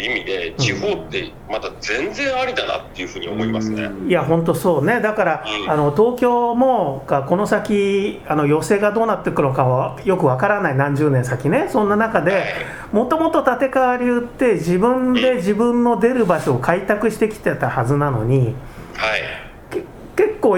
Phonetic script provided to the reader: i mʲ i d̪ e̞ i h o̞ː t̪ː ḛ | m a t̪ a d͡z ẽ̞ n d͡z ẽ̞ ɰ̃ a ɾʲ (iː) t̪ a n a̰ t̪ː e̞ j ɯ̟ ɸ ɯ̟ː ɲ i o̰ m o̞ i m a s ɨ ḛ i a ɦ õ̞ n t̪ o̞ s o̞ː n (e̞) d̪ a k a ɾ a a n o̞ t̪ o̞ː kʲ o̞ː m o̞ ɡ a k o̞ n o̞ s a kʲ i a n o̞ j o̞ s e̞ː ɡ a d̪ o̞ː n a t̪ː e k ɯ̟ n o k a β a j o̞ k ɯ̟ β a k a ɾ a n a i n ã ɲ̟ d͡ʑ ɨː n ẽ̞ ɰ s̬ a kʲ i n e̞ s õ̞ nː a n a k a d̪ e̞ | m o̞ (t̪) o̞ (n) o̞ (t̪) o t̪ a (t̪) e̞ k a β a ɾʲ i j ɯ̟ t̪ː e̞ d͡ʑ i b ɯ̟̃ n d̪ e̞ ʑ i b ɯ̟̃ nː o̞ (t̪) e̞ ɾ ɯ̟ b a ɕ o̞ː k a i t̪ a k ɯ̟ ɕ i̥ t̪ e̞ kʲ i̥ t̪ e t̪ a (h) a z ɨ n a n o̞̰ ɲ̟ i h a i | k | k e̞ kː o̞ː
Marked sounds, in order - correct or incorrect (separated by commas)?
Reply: incorrect, correct, correct, incorrect, correct, correct, incorrect, correct